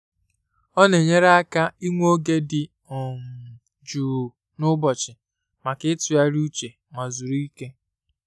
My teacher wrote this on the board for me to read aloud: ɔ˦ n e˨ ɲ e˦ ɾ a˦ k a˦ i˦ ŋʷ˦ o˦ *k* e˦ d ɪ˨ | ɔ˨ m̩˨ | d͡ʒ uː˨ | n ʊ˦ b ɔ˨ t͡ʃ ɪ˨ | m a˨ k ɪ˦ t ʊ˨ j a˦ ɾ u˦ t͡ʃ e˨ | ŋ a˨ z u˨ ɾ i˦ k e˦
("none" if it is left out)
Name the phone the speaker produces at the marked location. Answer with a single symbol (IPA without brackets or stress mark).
ɡ